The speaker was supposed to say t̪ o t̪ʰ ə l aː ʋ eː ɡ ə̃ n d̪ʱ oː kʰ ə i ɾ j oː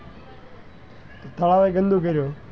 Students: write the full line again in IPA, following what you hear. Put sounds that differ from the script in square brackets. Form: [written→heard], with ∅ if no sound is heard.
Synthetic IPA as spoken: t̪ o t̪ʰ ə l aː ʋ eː ɡ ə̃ n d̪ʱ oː [kʰ→k] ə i ɾ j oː